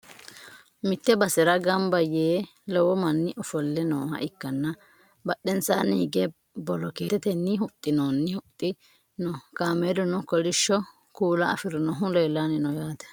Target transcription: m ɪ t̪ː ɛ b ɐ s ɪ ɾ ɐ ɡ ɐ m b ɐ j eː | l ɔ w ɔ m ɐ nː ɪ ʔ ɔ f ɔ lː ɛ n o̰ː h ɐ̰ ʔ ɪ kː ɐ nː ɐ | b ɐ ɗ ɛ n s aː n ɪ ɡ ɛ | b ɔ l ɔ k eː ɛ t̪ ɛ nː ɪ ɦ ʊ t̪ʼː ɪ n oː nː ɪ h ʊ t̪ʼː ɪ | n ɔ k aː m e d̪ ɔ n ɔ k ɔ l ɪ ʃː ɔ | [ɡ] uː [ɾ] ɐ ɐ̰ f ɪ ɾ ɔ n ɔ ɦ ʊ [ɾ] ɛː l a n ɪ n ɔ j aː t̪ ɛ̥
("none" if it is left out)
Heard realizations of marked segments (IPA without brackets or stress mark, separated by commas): k, l, l